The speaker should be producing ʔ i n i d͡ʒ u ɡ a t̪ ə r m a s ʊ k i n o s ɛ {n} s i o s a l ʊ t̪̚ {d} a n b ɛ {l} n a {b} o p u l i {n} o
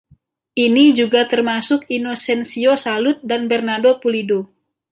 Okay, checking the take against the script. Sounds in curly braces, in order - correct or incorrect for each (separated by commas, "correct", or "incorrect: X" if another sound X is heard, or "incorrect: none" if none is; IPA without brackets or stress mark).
correct, correct, incorrect: r, incorrect: d, incorrect: d